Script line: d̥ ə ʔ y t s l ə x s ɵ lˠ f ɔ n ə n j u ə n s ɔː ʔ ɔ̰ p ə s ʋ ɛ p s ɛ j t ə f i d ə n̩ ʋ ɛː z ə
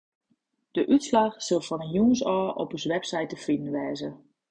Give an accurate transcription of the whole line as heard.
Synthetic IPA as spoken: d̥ ə ʔ y t s l a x s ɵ lˠ f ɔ n ə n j u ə n s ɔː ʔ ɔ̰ p ə s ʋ ɛ p s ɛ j t ə f i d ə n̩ ʋ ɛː z ə